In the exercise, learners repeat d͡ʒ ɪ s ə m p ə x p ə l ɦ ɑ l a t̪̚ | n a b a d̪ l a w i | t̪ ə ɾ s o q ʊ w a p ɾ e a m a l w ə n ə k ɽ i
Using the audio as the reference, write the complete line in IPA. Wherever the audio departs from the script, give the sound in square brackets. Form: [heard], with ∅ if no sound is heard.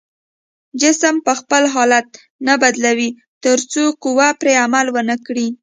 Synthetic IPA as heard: d͡ʒ ɪ s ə m p ə x p ə l ɦ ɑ l a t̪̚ | n a b a d̪ l a w i | t̪ ə ɾ [t͡s] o q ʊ w a p ɾ e a m a l w ə n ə k ɽ i